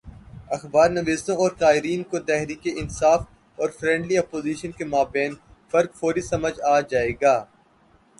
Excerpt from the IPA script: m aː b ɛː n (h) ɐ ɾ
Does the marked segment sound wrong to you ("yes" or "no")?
yes